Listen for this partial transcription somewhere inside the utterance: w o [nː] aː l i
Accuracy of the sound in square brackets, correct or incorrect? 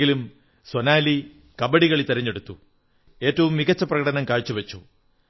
incorrect